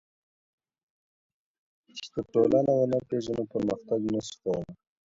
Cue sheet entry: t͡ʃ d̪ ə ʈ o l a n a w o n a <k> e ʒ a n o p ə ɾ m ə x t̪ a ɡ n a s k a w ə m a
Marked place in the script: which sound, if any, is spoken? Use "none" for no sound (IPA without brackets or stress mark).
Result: p